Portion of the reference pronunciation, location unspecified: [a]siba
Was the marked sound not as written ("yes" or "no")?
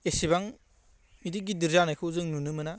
yes